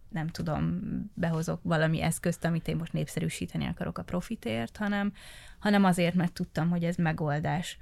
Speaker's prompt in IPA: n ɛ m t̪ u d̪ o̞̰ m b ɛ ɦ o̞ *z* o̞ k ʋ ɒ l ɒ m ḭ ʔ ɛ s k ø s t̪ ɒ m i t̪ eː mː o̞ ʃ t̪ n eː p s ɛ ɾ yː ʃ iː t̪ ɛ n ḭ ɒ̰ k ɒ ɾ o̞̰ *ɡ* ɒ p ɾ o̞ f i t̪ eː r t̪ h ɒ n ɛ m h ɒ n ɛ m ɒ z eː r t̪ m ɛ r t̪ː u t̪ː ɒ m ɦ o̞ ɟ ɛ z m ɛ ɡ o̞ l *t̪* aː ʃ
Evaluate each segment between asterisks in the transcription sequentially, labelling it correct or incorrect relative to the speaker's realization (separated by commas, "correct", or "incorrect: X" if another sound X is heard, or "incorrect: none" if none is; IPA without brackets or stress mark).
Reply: correct, incorrect: k, incorrect: d̪